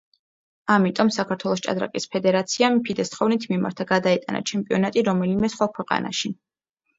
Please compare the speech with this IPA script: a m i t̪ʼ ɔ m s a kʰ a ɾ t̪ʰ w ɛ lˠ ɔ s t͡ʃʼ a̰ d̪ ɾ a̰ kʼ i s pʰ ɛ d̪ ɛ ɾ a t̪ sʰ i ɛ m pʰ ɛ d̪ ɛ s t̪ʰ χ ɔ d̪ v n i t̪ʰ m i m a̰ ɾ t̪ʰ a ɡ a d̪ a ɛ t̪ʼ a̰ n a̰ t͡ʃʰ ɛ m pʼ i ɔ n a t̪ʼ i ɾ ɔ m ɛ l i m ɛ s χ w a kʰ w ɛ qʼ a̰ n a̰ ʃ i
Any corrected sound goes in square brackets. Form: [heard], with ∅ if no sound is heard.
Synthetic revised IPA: a m i t̪ʼ ɔ m s a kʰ a ɾ t̪ʰ w ɛ lˠ ɔ s t͡ʃʼ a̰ d̪ ɾ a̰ kʼ i s pʰ ɛ d̪ ɛ ɾ a t̪ sʰ i [a] m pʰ [i] d̪ ɛ s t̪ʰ χ ɔ [∅] v n i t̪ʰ m i m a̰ ɾ t̪ʰ a ɡ a d̪ a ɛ t̪ʼ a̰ n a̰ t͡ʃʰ ɛ m pʼ i ɔ n a t̪ʼ i ɾ ɔ m ɛ l i m ɛ s χ w a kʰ w ɛ qʼ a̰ n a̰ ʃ i